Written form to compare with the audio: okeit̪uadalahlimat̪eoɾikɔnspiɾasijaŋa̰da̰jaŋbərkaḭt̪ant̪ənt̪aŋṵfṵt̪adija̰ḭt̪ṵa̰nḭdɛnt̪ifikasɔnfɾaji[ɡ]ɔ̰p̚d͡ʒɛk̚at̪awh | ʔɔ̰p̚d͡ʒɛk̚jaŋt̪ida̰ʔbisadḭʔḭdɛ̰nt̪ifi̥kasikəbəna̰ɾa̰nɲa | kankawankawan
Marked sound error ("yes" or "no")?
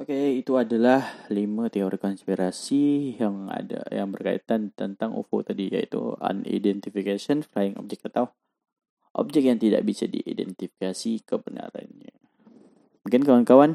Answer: yes